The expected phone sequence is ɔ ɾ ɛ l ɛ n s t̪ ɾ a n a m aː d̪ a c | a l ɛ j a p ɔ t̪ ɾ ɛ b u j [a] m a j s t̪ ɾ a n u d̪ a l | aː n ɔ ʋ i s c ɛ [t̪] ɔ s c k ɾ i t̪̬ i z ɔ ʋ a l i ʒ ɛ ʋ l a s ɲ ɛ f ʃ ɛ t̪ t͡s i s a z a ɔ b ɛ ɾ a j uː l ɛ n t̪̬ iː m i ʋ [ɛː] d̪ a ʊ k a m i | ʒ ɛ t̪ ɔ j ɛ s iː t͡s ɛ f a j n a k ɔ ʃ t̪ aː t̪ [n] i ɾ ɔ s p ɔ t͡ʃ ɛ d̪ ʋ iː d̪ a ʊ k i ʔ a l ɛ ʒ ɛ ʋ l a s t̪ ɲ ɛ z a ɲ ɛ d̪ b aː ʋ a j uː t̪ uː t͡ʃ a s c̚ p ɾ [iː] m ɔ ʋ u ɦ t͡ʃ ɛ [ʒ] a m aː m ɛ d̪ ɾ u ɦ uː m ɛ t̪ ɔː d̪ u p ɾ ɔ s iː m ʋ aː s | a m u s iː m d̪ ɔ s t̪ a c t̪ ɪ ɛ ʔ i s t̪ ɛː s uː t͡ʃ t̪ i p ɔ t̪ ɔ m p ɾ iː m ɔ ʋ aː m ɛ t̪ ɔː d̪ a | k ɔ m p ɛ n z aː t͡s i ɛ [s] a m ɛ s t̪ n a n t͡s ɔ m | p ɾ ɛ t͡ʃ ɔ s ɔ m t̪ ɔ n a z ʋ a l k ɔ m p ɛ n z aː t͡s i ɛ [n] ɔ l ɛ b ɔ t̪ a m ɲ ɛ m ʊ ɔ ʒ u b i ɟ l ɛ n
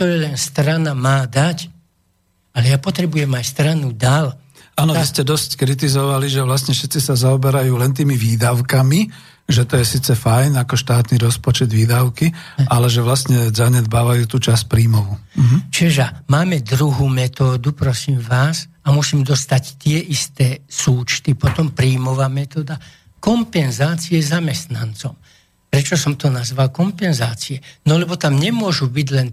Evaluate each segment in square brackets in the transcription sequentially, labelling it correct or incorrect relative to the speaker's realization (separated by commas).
incorrect, incorrect, incorrect, correct, correct, correct, incorrect, correct